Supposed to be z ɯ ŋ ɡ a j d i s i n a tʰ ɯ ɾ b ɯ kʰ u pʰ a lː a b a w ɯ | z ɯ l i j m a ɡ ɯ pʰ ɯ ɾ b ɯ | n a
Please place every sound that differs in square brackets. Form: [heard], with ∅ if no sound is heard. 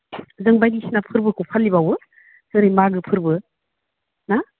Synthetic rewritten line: z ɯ ŋ [b] a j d i s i n a [pʰ] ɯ ɾ b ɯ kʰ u pʰ a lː [i] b a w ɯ | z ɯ [ɾ] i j m a ɡ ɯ pʰ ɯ ɾ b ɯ | n a